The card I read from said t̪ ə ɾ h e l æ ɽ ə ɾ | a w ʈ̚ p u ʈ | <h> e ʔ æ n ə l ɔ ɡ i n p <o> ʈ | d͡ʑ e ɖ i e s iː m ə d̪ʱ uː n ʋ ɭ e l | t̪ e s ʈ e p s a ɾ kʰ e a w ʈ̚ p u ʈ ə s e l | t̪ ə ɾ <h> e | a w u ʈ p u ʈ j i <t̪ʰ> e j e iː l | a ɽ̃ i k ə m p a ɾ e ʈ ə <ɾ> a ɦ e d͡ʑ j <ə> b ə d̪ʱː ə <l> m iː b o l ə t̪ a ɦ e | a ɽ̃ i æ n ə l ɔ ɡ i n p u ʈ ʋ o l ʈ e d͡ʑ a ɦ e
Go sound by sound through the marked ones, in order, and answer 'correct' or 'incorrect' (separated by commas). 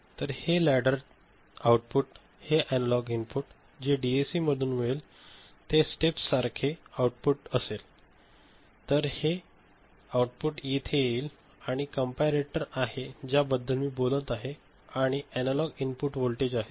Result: correct, incorrect, correct, correct, correct, incorrect, correct